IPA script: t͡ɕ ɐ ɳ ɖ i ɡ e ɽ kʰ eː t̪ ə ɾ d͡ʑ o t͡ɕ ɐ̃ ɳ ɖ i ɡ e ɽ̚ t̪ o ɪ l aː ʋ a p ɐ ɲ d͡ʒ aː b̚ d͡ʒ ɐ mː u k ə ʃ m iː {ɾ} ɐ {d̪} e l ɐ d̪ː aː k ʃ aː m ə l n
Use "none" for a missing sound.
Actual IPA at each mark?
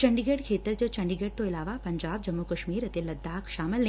ɾ, t̪

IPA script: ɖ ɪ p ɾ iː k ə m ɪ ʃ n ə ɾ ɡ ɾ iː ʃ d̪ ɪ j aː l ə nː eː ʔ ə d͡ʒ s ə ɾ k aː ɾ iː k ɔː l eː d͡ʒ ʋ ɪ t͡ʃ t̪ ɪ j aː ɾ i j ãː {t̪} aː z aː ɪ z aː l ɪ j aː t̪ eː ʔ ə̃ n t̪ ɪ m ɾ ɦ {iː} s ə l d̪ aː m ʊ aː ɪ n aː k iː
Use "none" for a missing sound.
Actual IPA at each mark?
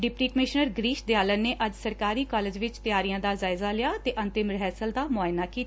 d̪, ɛː

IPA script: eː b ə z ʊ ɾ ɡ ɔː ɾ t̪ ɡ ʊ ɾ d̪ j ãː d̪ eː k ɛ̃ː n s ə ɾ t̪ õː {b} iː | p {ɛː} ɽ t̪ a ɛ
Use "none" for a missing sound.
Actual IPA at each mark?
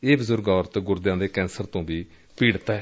b, iː

